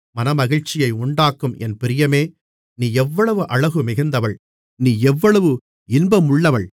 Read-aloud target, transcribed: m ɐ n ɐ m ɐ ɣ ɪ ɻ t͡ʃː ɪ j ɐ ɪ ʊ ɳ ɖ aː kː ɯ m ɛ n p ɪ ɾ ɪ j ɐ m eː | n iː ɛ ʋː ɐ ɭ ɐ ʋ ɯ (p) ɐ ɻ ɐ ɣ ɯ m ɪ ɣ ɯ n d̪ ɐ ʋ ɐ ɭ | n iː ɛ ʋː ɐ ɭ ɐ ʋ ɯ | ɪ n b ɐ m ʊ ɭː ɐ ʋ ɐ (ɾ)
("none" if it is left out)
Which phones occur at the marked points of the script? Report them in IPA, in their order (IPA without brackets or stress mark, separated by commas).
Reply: ʔ, ɭ